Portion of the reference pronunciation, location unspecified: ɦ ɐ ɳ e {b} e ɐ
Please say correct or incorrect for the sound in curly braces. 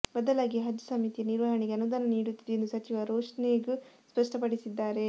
incorrect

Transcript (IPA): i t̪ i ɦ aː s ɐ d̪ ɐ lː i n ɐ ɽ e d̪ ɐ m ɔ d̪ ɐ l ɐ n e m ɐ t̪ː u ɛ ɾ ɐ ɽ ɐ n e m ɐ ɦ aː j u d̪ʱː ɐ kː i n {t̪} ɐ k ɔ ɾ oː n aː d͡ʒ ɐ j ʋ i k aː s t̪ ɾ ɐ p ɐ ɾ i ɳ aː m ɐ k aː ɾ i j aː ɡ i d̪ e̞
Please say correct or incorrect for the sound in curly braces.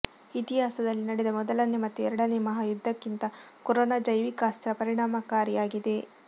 correct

